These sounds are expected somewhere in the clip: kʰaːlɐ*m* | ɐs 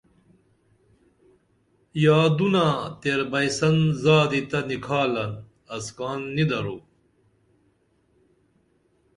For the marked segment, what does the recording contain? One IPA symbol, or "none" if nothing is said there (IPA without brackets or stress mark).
n